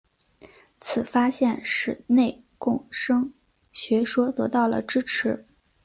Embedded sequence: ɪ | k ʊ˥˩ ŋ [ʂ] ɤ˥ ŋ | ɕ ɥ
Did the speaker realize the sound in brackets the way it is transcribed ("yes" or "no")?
yes